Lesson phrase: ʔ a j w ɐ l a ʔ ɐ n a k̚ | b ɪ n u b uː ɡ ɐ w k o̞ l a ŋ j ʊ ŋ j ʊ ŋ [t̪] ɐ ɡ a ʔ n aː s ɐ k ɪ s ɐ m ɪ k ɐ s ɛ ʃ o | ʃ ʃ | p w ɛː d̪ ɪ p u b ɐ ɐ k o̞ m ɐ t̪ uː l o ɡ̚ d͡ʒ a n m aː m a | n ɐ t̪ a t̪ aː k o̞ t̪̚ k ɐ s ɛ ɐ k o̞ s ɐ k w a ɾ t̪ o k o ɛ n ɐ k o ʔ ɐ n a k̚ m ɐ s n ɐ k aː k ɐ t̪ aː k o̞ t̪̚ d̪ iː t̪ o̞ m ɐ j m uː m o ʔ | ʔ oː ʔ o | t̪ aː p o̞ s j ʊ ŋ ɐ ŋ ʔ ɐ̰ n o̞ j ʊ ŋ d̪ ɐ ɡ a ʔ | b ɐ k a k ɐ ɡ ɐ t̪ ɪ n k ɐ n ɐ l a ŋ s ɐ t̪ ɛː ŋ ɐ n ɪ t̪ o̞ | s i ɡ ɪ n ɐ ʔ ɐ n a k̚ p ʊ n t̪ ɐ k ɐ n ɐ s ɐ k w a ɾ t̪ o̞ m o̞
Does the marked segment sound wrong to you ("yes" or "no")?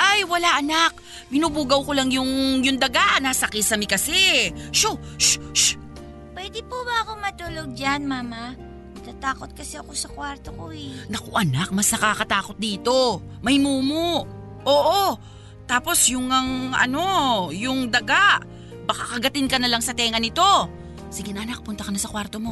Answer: yes